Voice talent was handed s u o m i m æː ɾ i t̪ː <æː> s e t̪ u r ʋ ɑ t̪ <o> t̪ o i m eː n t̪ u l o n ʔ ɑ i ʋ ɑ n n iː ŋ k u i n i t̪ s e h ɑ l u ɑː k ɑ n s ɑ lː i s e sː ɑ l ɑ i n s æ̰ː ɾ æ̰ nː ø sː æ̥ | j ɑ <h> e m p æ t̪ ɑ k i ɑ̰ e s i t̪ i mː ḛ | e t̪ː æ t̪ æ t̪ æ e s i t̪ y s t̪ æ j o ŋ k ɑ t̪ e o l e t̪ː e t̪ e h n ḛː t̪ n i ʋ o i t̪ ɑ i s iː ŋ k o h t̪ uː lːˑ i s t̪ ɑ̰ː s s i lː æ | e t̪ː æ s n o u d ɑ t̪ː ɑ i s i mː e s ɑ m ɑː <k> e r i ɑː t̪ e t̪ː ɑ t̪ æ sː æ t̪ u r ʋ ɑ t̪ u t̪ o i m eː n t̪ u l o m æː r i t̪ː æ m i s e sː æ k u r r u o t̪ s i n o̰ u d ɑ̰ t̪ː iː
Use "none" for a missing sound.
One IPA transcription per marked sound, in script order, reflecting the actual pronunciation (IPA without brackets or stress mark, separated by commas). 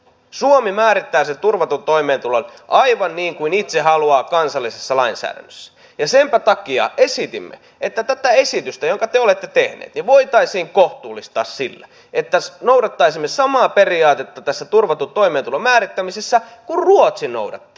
æː, u, s, p